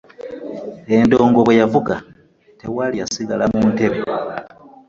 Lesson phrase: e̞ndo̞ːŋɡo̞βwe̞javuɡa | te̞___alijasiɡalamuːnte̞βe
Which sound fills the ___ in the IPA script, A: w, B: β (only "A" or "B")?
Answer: A